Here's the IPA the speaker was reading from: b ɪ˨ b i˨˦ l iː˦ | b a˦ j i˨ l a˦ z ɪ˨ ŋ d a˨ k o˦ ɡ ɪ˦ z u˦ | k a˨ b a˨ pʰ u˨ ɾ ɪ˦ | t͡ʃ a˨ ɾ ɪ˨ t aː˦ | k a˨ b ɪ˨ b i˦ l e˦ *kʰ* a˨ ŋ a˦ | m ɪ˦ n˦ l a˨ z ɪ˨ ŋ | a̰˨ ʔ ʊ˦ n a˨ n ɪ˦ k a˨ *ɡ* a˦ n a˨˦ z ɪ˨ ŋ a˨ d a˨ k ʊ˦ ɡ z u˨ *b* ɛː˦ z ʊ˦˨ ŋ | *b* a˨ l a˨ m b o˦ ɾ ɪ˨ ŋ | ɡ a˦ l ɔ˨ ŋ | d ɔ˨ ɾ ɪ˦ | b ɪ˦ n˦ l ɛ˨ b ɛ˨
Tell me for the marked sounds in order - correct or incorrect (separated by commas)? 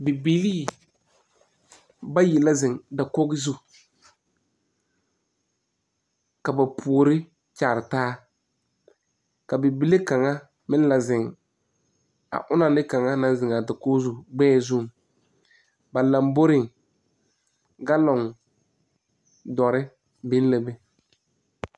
incorrect, incorrect, incorrect, correct